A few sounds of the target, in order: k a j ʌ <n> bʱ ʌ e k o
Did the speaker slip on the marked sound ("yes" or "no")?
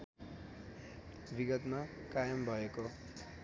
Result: yes